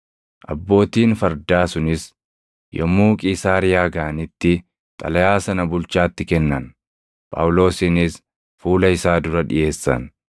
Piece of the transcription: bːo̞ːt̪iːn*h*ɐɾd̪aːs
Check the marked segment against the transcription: incorrect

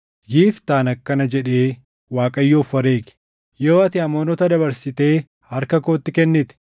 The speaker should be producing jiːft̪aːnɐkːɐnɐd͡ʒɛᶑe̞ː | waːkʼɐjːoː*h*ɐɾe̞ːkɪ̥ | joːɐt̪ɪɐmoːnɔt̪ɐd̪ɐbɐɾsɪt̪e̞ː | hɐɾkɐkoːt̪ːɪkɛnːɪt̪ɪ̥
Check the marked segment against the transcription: incorrect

